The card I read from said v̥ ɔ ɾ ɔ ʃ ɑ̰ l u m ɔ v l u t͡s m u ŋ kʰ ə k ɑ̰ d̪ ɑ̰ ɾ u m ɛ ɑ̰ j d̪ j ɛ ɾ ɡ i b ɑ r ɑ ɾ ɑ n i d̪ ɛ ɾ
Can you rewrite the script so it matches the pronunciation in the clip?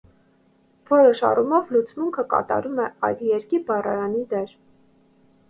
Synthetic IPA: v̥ ɔ ɾ ɔ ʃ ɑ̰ r u m ɔ v l u t͡s m u ŋ kʰ ə k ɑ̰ t̪ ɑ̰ ɾ u m ɛ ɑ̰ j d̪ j ɛ ɾ k i b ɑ r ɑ ɾ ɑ n i d̪ ɛ ɾ

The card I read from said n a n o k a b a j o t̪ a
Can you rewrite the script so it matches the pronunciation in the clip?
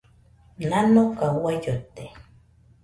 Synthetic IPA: n a n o k a w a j o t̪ e

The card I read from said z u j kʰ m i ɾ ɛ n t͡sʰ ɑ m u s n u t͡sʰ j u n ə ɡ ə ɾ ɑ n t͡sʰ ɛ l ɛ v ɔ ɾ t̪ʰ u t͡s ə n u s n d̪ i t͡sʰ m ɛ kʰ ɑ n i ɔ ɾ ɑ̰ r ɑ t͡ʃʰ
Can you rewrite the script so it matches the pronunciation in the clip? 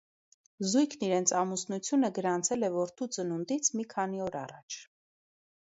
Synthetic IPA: z u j kʰ n i ɾ ɛ n t͡sʰ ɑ m u s n u t͡sʰ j u n ə ɡ ə ɾ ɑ n t͡sʰ ɛ l ɛ v ɔ ɾ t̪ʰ u t͡s ə n u n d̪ i t͡sʰ m i kʰ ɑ n i ɔ ɾ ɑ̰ r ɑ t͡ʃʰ

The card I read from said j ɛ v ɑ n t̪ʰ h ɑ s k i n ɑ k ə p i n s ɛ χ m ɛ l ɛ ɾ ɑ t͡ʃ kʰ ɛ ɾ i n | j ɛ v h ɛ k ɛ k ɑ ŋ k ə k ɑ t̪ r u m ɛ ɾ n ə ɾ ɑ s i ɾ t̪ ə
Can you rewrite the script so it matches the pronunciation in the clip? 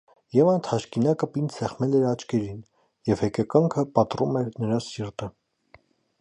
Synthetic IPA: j ɛ v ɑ n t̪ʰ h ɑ ʃ k i n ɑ k ə p i n s ɛ χ m ɛ l ɛ ɾ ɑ t͡ʃ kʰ ɛ ɾ i n | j ɛ v h ɛ k ɛ k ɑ ŋ kʰ ə p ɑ t̪ r u m ɛ ɾ n ə ɾ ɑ s i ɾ t̪ ə

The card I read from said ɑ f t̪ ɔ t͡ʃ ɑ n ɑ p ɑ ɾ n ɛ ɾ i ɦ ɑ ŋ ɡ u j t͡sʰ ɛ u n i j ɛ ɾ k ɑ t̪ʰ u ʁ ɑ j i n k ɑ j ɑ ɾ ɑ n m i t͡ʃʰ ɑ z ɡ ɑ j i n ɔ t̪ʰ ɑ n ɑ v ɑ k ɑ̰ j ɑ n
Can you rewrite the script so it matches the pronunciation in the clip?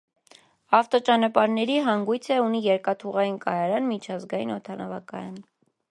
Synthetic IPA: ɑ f t̪ ɔ t͡ʃ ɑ n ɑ p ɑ ɾ n ɛ ɾ i ɦ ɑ ŋ ɡ u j t͡sʰ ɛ u n i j ɛ ɾ k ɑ t̪ʰ u ʁ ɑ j i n k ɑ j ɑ ɾ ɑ n m i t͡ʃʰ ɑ z ɡ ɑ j i n ɔ t̪ʰ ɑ n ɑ v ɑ k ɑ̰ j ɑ n

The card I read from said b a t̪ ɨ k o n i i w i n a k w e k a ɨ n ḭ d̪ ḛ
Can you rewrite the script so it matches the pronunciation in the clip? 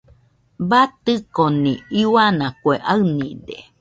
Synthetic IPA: b a t̪ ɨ k o n i i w a n a k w e ʔ a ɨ n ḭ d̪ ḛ

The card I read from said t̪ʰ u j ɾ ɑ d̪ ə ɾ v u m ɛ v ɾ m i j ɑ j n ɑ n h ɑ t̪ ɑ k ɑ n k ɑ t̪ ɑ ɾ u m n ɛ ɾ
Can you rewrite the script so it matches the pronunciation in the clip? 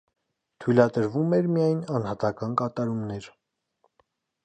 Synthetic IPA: t̪ʰ u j l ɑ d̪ ə ɾ v u m ɛ ɾ m i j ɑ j n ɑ n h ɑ t̪ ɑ k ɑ n k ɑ t̪ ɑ ɾ u m n ɛ ɾ

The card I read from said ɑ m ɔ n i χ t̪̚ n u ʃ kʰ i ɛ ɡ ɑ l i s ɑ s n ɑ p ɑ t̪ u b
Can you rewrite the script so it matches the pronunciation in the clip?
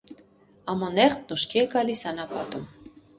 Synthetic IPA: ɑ m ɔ n ɛ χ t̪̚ n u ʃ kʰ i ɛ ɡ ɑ l i s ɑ n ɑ p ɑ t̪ u m

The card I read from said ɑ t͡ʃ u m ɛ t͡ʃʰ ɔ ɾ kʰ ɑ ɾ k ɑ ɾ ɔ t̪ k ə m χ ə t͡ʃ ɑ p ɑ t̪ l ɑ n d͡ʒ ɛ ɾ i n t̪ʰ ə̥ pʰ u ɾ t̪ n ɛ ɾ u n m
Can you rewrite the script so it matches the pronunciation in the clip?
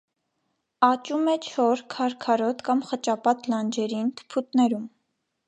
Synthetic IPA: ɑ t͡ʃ u m ɛ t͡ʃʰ ɔ ɾ kʰ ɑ ɾ kʰ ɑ ɾ ɔ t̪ k ɑ m χ ə t͡ʃ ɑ p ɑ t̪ l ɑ n d͡ʒ ɛ ɾ i n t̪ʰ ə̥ pʰ u t̪ n ɛ ɾ u m

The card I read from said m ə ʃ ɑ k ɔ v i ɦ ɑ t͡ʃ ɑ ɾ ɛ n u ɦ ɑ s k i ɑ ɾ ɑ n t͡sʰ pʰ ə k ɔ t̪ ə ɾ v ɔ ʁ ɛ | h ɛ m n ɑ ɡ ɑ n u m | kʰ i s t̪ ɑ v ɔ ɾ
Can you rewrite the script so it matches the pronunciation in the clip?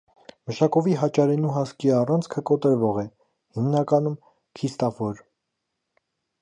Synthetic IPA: m ə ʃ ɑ k ɔ v i ɦ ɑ t͡ʃ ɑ ɾ ɛ n u ɦ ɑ s k i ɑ r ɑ n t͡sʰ kʰ ə k ɔ t̪ ə ɾ v ɔ ʁ ɛ | h i m n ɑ k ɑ n u m | kʰ i s t̪ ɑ f ɔ ɾ

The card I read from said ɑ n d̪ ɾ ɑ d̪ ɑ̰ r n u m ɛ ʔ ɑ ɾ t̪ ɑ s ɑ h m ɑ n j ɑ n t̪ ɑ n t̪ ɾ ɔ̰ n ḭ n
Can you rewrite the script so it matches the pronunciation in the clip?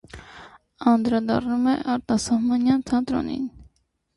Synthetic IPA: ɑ n d̪ ɾ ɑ d̪ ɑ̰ r n u m ɛ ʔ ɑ ɾ t̪ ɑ s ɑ h m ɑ n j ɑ n t̪ʰ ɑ n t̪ ɾ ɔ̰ n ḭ n

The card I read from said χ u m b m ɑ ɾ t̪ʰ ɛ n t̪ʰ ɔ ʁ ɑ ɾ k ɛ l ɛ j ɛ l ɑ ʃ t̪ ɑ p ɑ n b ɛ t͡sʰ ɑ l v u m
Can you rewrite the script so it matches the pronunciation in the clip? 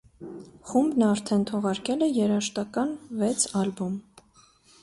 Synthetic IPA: χ u m b n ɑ ɾ t̪ʰ ɛ n t̪ʰ ɔ ʁ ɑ ɾ k ɛ l ɛ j ɛ ɾ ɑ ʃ t̪ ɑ k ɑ n v ɛ t͡sʰ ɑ l b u m

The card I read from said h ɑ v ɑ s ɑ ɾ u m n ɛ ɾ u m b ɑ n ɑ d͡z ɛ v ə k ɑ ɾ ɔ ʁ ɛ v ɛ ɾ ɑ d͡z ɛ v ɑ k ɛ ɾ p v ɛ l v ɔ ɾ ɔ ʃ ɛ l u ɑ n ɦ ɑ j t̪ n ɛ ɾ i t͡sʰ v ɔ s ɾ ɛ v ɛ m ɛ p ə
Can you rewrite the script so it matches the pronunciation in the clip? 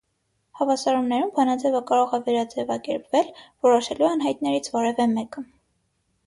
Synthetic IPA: h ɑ v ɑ s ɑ ɾ u m n ɛ ɾ u m b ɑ n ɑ d͡z ɛ v ə k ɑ ɾ ɔ ʁ ɛ v ɛ ɾ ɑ d͡z ɛ v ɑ k ɛ ɾ p v ɛ l v ɔ ɾ ɔ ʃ ɛ l u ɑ n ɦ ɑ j t̪ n ɛ ɾ i t͡sʰ v ɔ ɾ ɛ v ɛ m ɛ k ə

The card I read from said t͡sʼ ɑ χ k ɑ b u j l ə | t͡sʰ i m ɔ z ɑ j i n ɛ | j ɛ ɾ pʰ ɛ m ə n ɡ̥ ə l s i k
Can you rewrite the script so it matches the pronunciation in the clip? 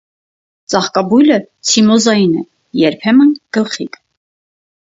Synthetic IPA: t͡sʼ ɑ χ k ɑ b u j l ə | t͡sʰ i m ɔ z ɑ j i n ɛ | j ɛ ɾ pʰ ɛ m ə n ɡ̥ ə l χ i k

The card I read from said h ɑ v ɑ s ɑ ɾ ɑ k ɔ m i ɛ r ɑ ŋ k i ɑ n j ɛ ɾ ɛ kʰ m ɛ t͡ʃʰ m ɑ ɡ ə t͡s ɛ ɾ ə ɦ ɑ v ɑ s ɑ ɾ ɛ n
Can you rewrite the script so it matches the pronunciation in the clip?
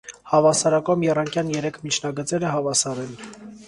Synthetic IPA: h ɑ v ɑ s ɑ ɾ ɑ k ɔ m j ɛ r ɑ ŋ k j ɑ n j ɛ ɾ ɛ kʰ m i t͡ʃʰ n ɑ ɡ ə t͡s ɛ ɾ ə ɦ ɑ v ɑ s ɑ ɾ ɛ n

